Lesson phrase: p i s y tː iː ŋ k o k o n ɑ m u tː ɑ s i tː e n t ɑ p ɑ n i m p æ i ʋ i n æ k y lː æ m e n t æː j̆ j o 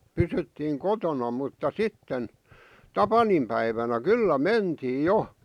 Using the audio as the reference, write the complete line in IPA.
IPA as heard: p y s y tː iː ŋ k o t o n ɑ m u tː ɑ s i tː e n t ɑ p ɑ n i m p æ i ʋ æ n æ k y lː æ m e n t iː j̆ j o